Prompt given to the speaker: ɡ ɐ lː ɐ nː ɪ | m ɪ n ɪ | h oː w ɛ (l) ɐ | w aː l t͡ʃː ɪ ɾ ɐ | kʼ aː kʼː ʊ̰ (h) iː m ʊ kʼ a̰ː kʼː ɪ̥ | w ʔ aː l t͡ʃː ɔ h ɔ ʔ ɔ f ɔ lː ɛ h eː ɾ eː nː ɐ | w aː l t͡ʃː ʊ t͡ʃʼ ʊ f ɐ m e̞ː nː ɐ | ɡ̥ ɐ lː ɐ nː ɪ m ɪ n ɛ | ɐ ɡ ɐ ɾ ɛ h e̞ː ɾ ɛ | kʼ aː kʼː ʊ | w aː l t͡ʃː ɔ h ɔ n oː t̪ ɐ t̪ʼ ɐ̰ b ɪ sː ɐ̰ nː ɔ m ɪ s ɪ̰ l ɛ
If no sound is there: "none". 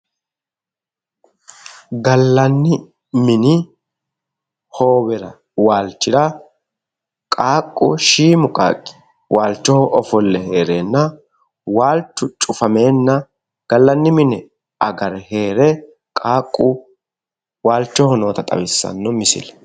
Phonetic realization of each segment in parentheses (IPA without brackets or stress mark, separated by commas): ɾ, ʃ